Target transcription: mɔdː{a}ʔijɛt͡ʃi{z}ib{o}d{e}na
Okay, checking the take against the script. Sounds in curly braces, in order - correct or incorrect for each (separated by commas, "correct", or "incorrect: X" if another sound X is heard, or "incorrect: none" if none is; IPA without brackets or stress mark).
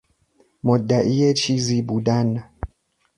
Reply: correct, correct, incorrect: u, incorrect: a